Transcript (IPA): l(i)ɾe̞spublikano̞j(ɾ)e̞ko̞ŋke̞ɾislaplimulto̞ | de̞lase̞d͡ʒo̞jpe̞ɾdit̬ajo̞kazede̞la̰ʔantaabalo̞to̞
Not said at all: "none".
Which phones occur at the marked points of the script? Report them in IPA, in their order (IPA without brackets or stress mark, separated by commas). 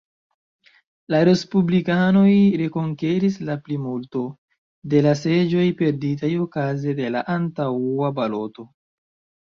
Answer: a, ɾ